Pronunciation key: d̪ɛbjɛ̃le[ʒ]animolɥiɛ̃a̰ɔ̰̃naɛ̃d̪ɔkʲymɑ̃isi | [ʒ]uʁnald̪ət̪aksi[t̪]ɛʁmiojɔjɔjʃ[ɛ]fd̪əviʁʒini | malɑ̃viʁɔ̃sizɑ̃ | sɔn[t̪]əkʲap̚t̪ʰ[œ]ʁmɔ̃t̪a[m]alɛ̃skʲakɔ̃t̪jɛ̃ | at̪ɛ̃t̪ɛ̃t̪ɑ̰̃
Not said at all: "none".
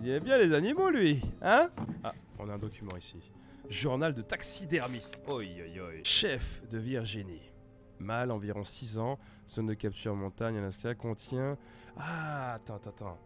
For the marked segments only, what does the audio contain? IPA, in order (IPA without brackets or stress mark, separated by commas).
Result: z, ʒ, d̪, ɛ, d̪, y, ɲ